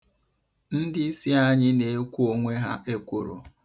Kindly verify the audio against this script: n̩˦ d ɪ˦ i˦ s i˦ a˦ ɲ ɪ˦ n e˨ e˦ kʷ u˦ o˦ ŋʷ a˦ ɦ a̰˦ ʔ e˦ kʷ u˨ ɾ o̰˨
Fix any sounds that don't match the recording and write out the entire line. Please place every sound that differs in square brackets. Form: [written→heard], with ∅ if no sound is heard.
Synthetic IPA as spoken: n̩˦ d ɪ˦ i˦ s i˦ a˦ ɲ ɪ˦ n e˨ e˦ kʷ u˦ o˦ ŋʷ [a˦→e˦] ɦ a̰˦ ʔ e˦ kʷ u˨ ɾ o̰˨